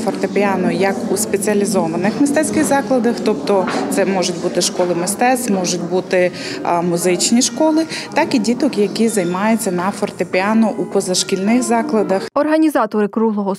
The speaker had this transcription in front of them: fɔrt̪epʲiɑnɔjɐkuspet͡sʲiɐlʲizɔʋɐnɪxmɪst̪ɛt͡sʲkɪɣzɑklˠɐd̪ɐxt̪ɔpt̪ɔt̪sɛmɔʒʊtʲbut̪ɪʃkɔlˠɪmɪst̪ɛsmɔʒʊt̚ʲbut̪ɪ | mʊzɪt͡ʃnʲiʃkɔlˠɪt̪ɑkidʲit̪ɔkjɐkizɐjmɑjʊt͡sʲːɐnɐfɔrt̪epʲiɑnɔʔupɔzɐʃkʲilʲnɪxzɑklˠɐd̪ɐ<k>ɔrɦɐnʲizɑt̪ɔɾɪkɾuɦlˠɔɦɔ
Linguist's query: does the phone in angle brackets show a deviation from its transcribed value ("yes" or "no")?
yes